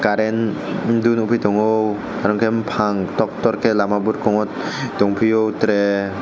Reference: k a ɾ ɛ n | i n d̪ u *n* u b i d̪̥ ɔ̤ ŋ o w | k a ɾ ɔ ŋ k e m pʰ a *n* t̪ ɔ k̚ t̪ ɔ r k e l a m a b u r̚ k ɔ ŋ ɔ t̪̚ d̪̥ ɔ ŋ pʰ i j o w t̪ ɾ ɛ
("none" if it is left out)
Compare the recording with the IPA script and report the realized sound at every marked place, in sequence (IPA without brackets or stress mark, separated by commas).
n, ŋ